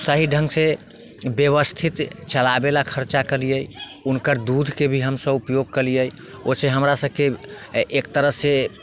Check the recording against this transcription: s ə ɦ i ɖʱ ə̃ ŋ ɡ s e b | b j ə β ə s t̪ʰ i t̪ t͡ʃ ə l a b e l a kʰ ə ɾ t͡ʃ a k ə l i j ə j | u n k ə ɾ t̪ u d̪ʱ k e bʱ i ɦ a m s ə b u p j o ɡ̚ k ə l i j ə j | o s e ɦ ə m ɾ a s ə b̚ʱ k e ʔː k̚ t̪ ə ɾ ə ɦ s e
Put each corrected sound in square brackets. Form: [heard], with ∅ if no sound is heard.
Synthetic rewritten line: s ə ɦ i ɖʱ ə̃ ŋ ɡ s e [∅] | b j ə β ə s t̪ʰ i t̪ t͡ʃ ə l a b e l a kʰ ə ɾ t͡ʃ a k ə l i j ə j | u n k ə ɾ [d̪] u d̪ʱ k e bʱ i ɦ [ə] m s ə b u p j o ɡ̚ k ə l i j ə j | o s e ɦ ə m ɾ a s ə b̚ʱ k e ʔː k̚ t̪ ə ɾ ə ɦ s e